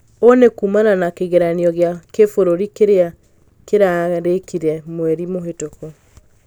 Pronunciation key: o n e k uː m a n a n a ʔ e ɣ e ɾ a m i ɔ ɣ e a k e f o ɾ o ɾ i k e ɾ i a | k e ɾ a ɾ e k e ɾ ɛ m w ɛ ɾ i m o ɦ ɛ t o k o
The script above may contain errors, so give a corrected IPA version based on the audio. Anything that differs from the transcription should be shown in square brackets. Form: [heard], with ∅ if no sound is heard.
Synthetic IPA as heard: o n e k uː m a n a n a [k] e ɣ e ɾ a [n] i ɔ ɣ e a k e f o ɾ o ɾ i k e ɾ [e] a | k e ɾ a ɾ e k [i] ɾ ɛ m w ɛ ɾ i m o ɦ [e] t o k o

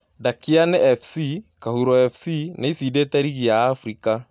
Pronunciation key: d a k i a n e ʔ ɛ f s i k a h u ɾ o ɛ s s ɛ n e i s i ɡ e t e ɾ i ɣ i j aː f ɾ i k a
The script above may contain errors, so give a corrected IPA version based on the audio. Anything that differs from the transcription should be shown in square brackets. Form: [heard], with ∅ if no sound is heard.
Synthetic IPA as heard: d a k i a n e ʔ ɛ f s i k a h u ɾ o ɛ [f] s [i] n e i s i [d] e t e ɾ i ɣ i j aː f ɾ i k a

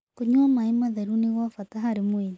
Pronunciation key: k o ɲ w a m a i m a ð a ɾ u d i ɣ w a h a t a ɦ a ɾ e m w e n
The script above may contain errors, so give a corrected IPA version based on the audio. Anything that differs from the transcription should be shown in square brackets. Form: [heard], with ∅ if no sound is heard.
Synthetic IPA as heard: k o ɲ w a m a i m a ð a ɾ u [n] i ɣ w a [f] a t a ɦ a ɾ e m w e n

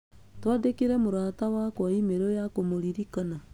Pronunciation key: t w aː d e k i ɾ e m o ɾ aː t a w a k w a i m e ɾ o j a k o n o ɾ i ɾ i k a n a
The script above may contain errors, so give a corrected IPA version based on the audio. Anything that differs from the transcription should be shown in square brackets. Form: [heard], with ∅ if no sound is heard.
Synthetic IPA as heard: t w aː d e k i ɾ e m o ɾ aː t a w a k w a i m e ɾ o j a k o [m] o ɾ i ɾ i k a n a

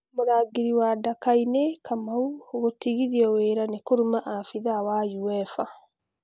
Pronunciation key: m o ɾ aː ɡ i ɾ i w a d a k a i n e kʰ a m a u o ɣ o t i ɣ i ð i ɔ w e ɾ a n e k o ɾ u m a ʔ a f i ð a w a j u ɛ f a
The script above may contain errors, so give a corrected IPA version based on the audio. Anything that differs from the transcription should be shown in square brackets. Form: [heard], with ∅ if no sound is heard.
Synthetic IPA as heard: m o ɾ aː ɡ i ɾ i w a d a k a i n e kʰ a m a u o ɣ o t i ɣ i ð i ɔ w e ɾ a n e k o ɾ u m a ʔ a f i ð a w a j u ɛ f a

